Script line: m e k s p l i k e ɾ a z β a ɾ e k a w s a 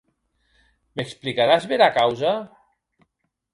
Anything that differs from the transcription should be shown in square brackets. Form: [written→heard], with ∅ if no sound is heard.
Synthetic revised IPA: m e k s p l i k [e→a] ɾ a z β [a→e] ɾ [e→a] k a w [s→z] a